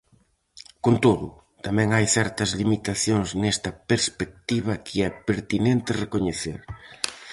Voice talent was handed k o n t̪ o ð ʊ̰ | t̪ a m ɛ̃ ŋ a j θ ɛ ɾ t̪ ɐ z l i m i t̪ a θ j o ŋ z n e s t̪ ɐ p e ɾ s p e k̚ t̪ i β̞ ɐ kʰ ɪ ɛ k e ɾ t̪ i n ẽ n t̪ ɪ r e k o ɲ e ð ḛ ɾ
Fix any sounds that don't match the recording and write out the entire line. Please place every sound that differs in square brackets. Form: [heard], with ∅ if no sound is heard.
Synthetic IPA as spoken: k o n t̪ o ð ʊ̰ | t̪ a m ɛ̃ ŋ a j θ ɛ ɾ t̪ ɐ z l i m i t̪ a θ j o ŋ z n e s t̪ ɐ p e ɾ s p e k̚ t̪ i β̞ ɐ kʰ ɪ ɛ [p] e ɾ t̪ i n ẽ n t̪ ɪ r e k o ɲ e [θ] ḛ ɾ